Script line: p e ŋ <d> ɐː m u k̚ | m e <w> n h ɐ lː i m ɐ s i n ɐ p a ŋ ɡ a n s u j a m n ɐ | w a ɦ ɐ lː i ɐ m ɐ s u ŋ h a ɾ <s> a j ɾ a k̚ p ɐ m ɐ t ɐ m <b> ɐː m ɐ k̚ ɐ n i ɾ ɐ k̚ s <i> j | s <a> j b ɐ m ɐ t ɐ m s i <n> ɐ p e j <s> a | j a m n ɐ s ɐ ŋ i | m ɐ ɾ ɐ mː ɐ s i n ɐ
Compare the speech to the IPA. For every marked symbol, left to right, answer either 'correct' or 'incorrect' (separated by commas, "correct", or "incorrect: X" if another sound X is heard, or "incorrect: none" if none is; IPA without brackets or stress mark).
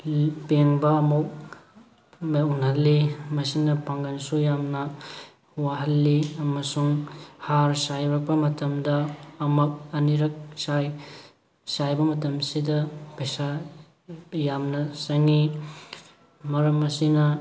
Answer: incorrect: b, incorrect: u, correct, incorrect: d, incorrect: a, correct, incorrect: d, correct